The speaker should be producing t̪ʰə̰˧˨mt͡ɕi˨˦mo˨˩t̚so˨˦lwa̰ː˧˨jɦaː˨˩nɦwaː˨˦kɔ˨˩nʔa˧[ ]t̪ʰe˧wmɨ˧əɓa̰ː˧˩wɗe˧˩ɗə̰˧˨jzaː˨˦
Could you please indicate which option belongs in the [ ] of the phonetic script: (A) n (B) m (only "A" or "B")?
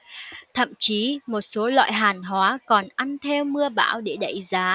A